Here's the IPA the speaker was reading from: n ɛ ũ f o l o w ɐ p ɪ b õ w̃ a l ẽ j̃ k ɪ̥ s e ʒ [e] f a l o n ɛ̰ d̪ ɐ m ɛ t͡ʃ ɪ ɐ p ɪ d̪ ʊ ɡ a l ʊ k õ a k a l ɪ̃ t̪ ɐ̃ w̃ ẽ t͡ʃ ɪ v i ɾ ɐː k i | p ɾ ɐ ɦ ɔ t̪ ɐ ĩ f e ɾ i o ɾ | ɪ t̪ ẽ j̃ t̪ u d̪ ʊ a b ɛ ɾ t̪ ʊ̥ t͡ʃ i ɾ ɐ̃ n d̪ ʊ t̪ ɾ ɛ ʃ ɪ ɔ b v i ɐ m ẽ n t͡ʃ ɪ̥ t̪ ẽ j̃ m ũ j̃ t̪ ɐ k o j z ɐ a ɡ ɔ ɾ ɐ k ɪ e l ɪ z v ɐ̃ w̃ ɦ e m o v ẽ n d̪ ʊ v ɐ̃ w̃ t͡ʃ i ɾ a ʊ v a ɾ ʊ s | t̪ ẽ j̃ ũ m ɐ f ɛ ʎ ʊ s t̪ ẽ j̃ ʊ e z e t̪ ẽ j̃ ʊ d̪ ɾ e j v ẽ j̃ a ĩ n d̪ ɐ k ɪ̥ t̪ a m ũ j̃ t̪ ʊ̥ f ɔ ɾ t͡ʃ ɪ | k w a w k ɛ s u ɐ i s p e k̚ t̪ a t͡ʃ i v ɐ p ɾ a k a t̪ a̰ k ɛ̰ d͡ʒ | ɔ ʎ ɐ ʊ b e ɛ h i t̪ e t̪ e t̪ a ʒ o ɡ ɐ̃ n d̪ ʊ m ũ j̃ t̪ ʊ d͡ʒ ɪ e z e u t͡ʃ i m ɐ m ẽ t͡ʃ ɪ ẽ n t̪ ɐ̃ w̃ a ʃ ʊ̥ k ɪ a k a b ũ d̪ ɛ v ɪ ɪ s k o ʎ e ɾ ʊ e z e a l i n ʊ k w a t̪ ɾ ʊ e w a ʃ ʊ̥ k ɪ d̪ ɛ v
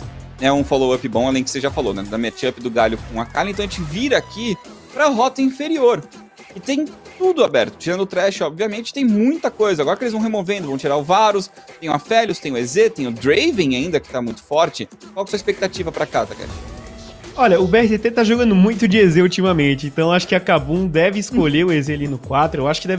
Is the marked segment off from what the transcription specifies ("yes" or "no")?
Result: yes